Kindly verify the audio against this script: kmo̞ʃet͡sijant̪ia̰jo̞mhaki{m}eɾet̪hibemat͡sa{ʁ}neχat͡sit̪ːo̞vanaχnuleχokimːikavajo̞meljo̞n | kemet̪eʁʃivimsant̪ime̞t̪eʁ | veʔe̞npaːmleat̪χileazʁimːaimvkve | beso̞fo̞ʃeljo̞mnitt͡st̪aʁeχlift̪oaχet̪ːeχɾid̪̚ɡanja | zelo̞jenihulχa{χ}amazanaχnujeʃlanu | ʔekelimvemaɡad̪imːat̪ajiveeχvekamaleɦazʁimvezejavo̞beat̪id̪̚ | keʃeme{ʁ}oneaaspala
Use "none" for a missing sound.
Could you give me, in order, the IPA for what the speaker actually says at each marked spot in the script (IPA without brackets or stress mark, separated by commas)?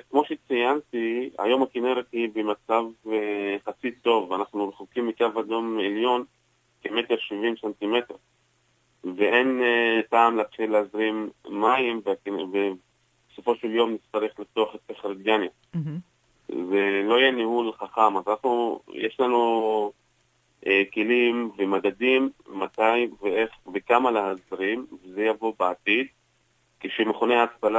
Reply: n, v, χ, χ